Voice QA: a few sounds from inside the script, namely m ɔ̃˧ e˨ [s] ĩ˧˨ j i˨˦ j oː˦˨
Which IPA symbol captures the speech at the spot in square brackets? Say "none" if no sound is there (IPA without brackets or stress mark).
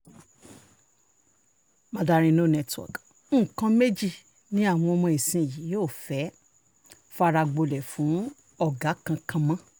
s